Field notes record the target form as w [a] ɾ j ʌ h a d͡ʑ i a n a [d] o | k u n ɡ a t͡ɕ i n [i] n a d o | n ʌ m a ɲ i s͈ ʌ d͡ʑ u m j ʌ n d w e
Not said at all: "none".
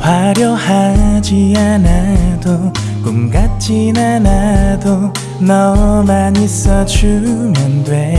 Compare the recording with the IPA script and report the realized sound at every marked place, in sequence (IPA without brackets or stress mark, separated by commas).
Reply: a, d, a